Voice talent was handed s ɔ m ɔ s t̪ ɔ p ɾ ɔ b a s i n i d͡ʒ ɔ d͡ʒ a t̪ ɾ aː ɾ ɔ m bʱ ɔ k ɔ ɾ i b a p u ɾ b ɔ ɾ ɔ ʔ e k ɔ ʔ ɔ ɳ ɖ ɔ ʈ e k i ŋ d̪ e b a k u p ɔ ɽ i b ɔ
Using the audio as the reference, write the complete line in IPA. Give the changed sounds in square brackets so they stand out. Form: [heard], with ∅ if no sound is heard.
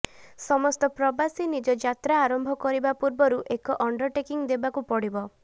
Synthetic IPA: s ɔ m ɔ s t̪ ɔ p ɾ ɔ b a s i n i d͡ʒ ɔ d͡ʒ a t̪ ɾ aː ɾ ɔ m bʱ ɔ k ɔ ɾ i b a p u ɾ b ɔ ɾ [u] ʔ e k ɔ ʔ ɔ ɳ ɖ ɔ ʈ e k i ŋ d̪ e b a k u p ɔ ɽ i b ɔ